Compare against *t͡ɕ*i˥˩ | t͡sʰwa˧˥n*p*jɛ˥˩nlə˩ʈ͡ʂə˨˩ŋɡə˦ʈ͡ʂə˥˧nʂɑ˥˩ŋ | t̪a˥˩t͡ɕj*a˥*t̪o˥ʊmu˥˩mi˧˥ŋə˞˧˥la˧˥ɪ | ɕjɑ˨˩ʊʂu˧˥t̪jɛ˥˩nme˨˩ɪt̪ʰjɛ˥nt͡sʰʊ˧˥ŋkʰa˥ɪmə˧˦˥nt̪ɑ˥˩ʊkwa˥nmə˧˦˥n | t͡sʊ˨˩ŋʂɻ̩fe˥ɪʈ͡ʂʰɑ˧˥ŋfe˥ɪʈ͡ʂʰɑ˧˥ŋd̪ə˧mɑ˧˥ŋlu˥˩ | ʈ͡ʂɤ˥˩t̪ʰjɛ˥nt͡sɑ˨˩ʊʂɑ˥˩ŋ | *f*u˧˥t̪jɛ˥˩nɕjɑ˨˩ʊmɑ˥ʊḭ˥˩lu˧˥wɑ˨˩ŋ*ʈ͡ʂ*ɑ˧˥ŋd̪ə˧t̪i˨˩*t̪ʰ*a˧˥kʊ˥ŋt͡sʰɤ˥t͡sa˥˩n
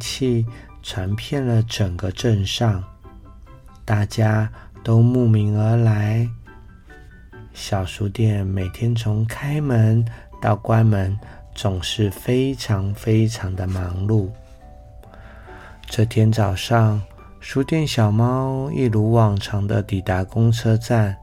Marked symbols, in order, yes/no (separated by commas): no, no, yes, no, no, no